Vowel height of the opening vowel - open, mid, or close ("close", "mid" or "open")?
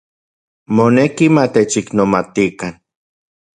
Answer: mid